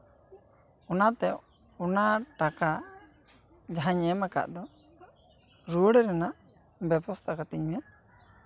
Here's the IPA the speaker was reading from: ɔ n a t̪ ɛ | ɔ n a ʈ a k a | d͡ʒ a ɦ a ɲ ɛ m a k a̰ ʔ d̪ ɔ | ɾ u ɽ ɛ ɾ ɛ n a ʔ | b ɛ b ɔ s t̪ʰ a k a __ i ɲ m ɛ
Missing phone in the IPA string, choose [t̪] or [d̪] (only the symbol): t̪